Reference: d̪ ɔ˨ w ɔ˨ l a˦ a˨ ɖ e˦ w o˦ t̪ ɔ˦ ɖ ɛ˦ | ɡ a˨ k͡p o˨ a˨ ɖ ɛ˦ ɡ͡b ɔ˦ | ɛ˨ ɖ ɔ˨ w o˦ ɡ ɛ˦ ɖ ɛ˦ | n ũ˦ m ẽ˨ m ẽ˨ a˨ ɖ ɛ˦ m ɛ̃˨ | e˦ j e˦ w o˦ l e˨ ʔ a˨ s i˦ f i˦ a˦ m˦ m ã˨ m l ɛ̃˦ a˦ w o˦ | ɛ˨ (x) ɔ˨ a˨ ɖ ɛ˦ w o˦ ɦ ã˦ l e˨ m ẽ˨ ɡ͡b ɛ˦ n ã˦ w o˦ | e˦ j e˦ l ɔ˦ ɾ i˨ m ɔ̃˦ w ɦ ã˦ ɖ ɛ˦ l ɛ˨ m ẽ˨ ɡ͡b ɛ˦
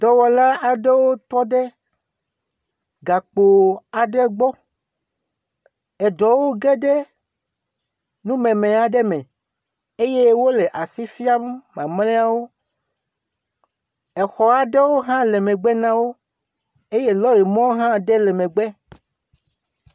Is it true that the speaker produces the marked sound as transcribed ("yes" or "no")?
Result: yes